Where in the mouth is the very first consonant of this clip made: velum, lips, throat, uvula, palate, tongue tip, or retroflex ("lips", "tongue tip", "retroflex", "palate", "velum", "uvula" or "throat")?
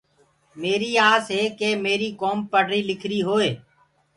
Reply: lips